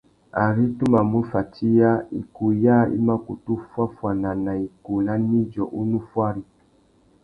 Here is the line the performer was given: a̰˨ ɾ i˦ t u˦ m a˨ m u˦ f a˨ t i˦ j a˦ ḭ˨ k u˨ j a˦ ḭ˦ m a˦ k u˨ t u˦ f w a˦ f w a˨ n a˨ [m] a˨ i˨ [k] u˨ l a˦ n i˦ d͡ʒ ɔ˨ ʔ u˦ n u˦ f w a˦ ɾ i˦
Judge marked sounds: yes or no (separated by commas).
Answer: no, yes